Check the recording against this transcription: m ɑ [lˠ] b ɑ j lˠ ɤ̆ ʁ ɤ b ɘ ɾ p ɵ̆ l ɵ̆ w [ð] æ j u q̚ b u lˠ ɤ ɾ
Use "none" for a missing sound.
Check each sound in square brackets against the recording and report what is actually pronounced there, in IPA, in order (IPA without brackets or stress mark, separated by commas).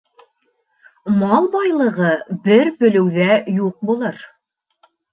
lˠ, ð